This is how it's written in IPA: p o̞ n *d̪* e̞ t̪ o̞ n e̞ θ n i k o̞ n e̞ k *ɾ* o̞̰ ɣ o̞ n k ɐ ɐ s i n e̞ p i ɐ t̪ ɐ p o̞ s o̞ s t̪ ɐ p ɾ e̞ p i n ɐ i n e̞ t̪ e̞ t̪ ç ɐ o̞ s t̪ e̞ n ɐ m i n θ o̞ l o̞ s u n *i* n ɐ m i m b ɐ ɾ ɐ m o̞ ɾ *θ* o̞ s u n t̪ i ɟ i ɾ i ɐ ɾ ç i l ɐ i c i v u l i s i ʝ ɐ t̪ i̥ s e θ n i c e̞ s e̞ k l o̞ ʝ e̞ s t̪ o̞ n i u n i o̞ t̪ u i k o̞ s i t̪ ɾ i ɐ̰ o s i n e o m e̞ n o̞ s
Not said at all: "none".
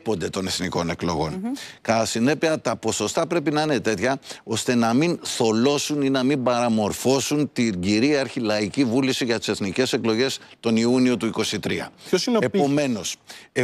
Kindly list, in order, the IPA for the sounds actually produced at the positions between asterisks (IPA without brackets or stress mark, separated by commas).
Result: d̪, l, i, f